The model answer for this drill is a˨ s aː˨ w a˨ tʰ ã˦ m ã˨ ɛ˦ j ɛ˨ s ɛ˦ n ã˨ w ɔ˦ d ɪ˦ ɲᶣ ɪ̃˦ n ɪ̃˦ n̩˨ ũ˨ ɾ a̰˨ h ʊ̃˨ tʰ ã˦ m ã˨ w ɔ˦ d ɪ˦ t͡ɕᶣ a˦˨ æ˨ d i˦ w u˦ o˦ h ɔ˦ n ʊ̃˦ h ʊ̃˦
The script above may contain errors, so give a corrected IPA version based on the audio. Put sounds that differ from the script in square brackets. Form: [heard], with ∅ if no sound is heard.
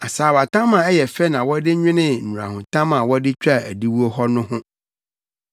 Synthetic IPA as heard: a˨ s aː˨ w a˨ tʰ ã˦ m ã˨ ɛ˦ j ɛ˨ [f] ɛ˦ n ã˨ w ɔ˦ d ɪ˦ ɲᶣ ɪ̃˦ n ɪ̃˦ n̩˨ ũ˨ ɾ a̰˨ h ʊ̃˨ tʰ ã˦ m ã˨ w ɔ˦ d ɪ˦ t͡ɕᶣ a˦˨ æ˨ d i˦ w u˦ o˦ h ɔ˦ n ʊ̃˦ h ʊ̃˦